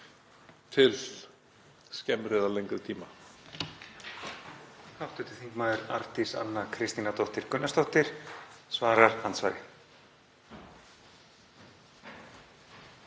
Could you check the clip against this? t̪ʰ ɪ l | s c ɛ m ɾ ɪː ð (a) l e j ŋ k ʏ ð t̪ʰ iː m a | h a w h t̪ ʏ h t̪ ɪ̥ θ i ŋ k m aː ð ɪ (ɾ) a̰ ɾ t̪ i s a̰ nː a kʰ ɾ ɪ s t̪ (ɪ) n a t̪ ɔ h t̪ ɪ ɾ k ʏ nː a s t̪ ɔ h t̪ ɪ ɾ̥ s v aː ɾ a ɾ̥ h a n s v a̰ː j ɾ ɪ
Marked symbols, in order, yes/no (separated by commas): yes, yes, no